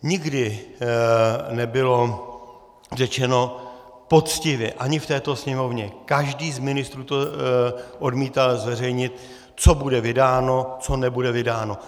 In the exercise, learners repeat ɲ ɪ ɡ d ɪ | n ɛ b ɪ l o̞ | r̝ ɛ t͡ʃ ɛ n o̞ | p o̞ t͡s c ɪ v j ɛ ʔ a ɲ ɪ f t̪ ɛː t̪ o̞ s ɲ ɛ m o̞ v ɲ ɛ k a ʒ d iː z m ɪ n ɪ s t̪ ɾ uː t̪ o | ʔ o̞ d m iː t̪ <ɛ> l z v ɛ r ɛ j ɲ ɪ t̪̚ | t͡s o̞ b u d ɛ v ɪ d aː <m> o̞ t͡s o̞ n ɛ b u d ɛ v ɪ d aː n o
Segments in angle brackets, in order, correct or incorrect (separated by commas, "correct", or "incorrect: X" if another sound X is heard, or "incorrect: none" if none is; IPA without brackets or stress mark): incorrect: a, incorrect: n